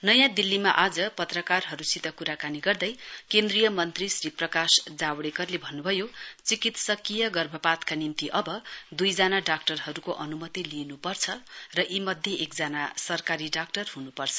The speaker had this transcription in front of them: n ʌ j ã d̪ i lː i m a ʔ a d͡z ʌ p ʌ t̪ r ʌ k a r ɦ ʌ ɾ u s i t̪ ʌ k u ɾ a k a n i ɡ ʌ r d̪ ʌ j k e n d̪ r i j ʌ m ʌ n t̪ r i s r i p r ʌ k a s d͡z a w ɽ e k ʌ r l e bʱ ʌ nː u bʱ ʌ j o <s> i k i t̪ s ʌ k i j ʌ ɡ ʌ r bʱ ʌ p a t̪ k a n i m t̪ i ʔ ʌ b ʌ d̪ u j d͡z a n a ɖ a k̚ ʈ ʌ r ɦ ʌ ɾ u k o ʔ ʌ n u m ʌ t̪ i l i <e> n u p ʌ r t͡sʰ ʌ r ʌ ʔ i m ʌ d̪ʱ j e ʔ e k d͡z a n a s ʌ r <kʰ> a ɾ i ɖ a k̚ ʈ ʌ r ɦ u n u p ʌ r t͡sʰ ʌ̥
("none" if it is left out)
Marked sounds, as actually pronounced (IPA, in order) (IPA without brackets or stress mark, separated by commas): t͡s, e, k